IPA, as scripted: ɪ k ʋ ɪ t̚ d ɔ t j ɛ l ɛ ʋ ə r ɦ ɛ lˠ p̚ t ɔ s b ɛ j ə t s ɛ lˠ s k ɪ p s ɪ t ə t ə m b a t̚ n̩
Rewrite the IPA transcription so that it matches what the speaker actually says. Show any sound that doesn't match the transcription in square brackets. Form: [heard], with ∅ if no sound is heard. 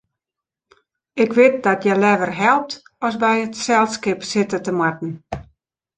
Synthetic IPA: ɪ k ʋ ɪ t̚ d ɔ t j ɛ l ɛ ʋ ə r ɦ ɛ lˠ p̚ t ɔ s b ɛ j ə t s ɛ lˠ s k ɪ p s ɪ t ə t ə m [w] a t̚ n̩